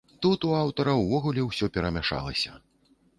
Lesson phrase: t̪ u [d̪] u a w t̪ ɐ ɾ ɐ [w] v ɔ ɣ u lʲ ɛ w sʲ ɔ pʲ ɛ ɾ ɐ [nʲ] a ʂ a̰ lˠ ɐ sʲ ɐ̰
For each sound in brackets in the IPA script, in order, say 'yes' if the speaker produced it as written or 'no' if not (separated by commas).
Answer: no, yes, no